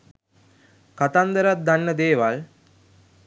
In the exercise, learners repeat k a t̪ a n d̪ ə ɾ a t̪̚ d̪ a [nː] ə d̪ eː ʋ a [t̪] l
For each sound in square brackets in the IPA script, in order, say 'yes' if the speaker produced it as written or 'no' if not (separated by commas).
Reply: yes, no